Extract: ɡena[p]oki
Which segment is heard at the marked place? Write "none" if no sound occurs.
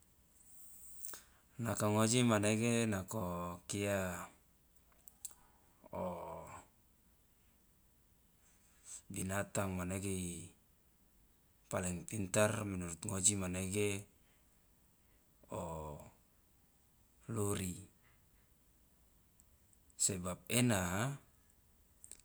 k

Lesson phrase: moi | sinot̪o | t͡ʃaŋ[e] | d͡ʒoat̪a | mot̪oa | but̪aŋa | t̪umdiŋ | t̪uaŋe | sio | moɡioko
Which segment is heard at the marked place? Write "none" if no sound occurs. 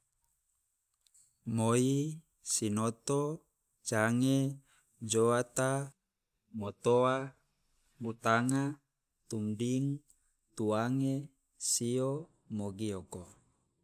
e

